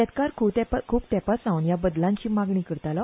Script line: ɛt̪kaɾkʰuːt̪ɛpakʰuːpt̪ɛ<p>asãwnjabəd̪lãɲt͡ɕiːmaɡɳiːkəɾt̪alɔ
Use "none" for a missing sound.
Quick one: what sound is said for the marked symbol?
p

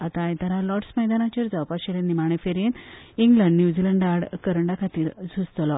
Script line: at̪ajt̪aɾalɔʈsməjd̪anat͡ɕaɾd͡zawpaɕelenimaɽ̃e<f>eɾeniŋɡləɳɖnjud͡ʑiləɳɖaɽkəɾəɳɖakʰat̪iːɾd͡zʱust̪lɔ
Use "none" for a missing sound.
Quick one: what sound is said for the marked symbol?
f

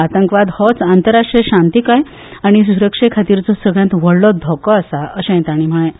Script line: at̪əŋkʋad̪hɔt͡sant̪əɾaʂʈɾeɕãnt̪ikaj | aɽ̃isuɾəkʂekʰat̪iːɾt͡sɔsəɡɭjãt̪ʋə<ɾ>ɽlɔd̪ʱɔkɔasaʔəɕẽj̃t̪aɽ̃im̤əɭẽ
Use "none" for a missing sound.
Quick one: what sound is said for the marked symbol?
none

